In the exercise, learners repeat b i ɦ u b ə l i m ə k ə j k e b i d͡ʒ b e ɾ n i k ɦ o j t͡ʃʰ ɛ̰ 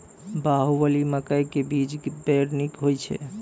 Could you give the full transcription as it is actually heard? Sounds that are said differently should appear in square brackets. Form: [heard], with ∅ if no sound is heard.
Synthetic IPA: b [a] ɦ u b ə l i m ə k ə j k e b i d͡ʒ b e ɾ n i k ɦ o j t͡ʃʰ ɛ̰